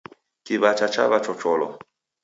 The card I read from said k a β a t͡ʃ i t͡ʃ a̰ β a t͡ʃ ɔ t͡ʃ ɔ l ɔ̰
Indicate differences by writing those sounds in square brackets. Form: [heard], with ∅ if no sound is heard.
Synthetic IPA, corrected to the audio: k [i] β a t͡ʃ [a] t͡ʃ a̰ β a t͡ʃ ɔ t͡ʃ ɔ l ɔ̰